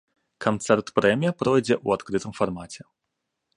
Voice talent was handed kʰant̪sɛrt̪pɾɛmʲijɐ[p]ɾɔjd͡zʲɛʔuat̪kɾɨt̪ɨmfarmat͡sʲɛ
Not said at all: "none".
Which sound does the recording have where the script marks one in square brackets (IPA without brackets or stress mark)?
p